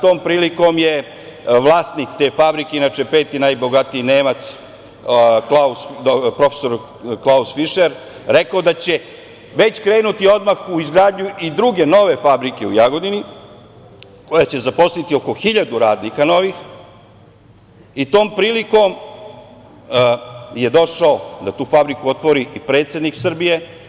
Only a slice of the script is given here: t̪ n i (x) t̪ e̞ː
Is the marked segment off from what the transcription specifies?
yes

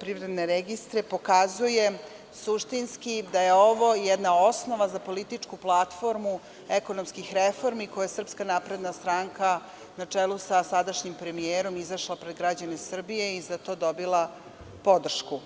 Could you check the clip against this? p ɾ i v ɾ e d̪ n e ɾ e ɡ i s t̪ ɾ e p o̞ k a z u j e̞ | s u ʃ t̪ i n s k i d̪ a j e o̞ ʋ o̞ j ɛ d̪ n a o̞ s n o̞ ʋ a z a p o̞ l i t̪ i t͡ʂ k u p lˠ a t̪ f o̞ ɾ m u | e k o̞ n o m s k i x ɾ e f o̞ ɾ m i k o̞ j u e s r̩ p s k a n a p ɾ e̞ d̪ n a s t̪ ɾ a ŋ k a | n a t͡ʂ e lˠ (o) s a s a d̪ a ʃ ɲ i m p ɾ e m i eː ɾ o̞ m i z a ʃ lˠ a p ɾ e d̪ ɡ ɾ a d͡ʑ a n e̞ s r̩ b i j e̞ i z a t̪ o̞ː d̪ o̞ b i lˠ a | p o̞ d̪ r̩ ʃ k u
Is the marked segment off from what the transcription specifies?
yes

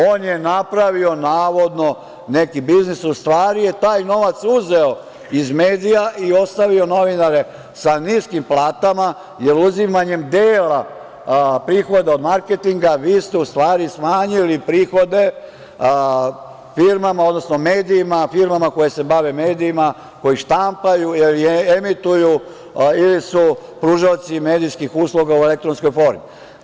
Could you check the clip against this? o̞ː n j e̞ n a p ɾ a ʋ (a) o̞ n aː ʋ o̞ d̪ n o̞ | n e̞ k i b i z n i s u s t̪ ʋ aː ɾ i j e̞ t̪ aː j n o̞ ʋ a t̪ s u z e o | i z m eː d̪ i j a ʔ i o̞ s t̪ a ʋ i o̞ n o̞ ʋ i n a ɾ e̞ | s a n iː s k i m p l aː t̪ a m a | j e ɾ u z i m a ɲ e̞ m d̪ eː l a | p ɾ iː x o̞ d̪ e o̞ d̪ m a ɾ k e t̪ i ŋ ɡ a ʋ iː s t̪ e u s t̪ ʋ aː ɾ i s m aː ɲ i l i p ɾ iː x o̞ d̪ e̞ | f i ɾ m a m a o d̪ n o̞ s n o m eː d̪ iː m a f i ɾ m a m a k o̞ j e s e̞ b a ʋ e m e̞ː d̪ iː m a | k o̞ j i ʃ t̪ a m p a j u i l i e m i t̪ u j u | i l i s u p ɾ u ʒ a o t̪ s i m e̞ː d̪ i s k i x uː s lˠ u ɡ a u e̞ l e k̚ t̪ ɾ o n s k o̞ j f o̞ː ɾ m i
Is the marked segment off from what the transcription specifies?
yes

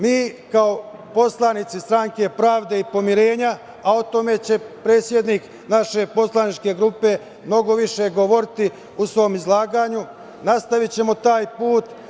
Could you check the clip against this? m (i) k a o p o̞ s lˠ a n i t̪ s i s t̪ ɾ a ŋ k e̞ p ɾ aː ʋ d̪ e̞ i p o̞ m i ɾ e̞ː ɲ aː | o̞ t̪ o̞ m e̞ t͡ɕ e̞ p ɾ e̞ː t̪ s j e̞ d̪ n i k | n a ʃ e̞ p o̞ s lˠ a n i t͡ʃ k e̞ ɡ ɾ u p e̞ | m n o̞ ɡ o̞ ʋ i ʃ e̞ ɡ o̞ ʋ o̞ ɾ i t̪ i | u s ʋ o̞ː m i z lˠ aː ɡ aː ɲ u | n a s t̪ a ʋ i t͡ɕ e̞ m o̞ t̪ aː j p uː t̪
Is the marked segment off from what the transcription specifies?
yes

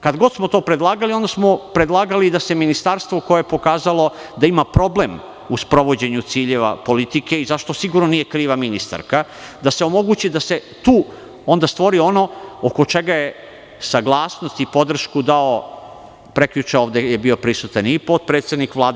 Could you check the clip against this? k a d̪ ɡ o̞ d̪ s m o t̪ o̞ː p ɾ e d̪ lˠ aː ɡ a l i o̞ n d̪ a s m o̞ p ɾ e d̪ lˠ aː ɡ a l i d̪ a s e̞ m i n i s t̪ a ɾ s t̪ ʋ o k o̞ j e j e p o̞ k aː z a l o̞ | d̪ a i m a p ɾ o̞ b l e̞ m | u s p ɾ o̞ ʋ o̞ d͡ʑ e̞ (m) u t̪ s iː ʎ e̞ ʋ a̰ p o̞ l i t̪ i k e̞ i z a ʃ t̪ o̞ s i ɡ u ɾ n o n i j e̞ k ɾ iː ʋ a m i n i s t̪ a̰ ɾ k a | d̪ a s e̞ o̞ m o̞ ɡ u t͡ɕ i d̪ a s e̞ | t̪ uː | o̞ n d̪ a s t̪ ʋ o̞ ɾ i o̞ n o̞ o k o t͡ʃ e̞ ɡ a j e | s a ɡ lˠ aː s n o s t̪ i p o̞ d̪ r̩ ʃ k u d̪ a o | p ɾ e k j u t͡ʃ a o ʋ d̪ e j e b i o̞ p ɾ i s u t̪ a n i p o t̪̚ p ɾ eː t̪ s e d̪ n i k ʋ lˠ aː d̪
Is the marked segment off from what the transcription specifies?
yes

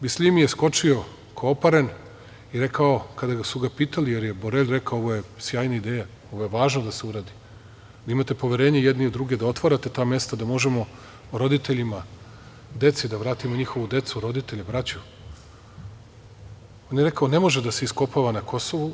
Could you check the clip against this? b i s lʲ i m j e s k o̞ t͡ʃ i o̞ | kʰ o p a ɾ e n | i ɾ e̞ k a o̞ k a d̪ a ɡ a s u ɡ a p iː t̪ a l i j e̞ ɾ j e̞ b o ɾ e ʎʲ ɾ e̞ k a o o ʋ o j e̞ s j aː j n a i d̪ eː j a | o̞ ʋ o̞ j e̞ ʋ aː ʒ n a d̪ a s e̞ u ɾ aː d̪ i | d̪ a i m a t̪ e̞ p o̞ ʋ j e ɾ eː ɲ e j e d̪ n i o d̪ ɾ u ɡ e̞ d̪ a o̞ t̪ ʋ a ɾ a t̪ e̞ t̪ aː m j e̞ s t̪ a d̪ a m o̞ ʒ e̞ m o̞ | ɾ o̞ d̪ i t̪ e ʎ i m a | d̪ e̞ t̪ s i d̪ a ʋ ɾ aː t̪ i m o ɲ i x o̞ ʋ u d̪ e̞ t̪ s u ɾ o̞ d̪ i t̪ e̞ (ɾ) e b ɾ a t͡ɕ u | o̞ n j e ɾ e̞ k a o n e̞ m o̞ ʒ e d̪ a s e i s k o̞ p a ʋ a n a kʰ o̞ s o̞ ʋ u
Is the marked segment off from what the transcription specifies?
yes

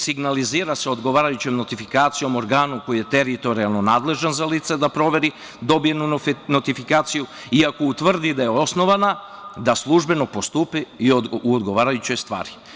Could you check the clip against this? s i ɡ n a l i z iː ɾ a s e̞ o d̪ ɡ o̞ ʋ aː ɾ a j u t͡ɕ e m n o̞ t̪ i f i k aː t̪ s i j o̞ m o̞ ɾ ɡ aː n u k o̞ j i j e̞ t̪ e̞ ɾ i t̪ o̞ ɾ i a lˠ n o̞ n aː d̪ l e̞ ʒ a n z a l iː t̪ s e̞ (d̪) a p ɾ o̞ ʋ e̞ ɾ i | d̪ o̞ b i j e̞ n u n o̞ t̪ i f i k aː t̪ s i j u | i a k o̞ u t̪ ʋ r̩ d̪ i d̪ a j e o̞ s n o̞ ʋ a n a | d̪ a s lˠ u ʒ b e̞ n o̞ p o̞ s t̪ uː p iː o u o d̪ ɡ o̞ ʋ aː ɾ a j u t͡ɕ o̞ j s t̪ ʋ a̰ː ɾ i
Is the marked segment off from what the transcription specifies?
no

